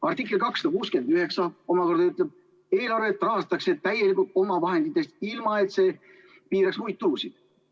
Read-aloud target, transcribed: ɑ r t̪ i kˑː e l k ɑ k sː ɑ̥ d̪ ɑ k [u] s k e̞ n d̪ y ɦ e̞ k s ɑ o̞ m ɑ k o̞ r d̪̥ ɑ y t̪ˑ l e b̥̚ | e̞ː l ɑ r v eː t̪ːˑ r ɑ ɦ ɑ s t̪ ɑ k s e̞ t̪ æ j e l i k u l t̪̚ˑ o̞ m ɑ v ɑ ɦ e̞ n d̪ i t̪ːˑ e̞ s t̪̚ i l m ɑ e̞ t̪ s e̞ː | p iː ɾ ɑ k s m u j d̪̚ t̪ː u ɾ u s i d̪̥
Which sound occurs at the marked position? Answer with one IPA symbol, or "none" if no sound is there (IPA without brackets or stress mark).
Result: uː